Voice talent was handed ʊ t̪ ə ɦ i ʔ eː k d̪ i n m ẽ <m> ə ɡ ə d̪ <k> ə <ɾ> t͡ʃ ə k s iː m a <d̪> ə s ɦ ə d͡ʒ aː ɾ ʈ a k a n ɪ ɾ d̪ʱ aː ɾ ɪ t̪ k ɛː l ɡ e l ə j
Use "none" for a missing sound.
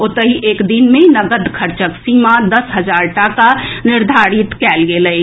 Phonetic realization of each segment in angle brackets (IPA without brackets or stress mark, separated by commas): n, kʰ, ɾ, d̪